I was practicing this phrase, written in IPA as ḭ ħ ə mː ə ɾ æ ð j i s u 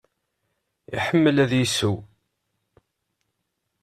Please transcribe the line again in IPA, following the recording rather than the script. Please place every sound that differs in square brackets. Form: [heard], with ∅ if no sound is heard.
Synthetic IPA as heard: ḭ ħ ə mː ə [l] æ ð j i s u